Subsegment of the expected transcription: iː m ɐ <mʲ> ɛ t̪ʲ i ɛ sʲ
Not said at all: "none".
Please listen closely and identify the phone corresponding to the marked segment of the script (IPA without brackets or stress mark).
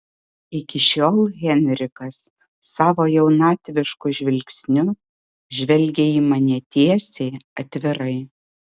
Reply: nʲ